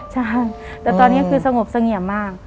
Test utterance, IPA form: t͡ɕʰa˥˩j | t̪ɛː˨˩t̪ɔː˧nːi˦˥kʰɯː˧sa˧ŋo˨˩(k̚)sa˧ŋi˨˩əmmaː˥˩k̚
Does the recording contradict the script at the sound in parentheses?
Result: yes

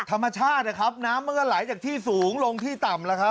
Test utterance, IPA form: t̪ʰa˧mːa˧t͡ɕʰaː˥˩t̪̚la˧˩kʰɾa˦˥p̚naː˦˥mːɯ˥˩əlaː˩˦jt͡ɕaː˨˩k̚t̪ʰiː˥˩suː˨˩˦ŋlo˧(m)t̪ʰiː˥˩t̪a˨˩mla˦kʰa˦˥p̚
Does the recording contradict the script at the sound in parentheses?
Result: yes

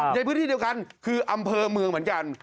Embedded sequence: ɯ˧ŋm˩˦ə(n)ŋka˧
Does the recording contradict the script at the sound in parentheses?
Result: no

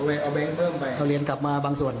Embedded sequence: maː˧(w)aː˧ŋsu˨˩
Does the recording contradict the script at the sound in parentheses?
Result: yes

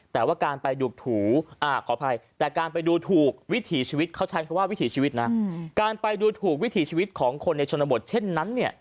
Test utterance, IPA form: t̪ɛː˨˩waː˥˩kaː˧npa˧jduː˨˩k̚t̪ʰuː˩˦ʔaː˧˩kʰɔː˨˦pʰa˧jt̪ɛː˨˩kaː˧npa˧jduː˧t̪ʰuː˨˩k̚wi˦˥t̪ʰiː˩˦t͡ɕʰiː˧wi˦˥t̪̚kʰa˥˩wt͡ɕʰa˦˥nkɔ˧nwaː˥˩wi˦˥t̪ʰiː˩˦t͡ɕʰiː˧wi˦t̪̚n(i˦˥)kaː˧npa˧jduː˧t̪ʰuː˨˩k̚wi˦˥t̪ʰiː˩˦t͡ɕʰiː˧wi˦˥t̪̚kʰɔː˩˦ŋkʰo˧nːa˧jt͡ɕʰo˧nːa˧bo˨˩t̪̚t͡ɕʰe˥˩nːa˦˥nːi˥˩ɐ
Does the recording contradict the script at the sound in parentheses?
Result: yes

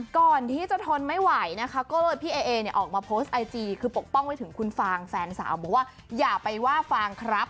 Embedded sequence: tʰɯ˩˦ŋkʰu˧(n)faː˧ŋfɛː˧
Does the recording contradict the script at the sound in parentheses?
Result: no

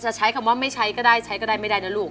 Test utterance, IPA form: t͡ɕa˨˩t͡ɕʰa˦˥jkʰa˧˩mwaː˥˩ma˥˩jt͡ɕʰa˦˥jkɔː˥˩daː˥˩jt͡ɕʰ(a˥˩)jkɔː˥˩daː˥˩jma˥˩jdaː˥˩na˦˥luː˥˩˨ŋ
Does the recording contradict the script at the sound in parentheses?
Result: yes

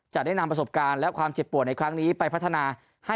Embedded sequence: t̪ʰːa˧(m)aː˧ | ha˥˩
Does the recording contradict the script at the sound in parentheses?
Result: yes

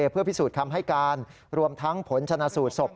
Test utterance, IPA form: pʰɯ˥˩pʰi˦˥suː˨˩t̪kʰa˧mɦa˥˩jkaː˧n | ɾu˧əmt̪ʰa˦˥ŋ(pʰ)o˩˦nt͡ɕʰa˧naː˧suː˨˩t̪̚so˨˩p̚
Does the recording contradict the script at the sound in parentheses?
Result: no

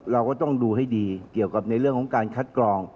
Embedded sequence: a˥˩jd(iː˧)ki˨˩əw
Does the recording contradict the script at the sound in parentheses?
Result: no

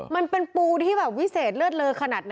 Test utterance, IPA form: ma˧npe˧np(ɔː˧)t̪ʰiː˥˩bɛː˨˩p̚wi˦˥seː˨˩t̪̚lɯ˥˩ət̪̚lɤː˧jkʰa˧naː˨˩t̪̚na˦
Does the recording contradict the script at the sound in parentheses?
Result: yes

